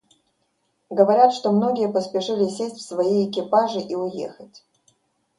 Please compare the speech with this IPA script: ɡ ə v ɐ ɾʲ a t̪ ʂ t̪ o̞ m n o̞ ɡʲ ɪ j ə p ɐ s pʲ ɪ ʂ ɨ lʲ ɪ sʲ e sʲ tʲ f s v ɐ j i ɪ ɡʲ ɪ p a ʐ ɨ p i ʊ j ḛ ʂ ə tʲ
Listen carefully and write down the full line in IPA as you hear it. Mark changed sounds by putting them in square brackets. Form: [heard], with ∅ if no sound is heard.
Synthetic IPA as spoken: ɡ ə v ɐ ɾʲ a t̪ ʂ t̪ o̞ m n o̞ ɡʲ ɪ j ə p [ə] s pʲ ɪ ʂ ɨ lʲ ɪ sʲ e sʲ tʲ f s v ɐ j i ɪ [kʲ] ɪ p a ʐ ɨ [ʔ] i ʊ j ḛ [x] ə tʲ

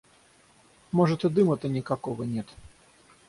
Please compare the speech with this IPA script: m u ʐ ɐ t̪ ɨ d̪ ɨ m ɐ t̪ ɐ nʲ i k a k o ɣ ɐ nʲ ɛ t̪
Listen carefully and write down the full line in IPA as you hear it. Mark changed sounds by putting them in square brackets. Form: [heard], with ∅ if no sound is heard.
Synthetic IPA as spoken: m [ɔ] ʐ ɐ t̪ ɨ d̪ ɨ m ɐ t̪ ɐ nʲ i k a k [ɔ] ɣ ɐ nʲ ɛ t̪

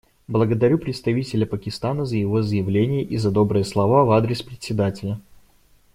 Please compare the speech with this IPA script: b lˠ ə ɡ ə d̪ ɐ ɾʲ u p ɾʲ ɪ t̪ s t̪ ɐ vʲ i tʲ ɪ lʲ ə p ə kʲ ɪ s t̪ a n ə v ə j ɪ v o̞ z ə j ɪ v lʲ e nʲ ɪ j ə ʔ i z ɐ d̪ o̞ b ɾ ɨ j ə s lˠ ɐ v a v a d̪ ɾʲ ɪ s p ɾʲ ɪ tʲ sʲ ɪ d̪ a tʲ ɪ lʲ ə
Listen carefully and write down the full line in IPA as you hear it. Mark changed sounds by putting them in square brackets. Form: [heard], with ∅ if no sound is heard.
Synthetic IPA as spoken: b lˠ ə ɡ ə d̪ ɐ ɾʲ u p ɾʲ ɪ t̪ s t̪ ɐ vʲ i tʲ ɪ lʲ ə p ə kʲ ɪ s t̪ a n ə [z] ə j ɪ v o̞ z ə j ɪ v lʲ e nʲ ɪ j ə ʔ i z ɐ d̪ o̞ b ɾ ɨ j ə s lˠ ɐ v a v a d̪ ɾʲ ɪ s p ɾʲ ɪ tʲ sʲ ɪ d̪ a tʲ ɪ lʲ ə

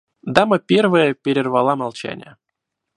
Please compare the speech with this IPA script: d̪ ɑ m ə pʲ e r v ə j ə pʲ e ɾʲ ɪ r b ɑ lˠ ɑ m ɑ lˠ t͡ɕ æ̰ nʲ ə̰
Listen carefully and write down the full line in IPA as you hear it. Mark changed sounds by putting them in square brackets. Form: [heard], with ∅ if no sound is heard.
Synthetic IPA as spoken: d̪ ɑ m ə pʲ e r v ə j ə pʲ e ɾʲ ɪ r [v] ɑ lˠ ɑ m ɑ lˠ t͡ɕ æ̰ nʲ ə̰

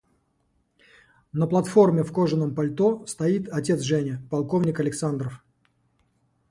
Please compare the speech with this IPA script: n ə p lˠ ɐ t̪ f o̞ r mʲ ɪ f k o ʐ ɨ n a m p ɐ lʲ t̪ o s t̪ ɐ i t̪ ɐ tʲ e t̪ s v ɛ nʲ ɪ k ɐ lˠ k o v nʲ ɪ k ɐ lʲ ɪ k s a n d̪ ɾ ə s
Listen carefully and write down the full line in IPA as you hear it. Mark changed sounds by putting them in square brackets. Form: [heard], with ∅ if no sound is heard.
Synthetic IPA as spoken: n ə p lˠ ɐ t̪ f o̞ r mʲ ɪ f k o ʐ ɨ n [ə] m p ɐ lʲ t̪ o s t̪ ɐ i t̪ ɐ tʲ e t̪ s [ʐ] ɛ nʲ ɪ [p] ɐ lˠ k o v nʲ ɪ k ɐ lʲ ɪ k s a n d̪ ɾ ə [f]

